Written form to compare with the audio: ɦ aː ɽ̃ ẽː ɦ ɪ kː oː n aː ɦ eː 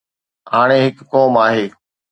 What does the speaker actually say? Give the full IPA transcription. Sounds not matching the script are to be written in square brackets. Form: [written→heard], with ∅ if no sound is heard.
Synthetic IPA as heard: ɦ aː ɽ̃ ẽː ɦ ɪ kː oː [n→m] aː ɦ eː